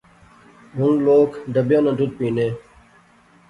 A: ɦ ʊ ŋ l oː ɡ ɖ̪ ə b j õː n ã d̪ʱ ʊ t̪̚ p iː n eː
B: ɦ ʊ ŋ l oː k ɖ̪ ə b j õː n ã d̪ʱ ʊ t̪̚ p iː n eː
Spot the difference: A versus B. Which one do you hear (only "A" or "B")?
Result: B